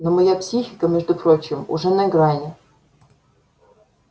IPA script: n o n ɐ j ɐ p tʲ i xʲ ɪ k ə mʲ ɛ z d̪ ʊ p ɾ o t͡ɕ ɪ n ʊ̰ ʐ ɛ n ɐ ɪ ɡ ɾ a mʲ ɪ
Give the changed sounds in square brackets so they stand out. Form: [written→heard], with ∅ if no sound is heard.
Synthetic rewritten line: n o [n→m] ɐ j [ɐ→a] p [tʲ→sʲ] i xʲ ɪ k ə mʲ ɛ [z→ʐ] d̪ ʊ p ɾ o t͡ɕ ɪ [n→m] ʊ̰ ʐ ɛ n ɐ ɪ ɡ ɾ a [mʲ→nʲ] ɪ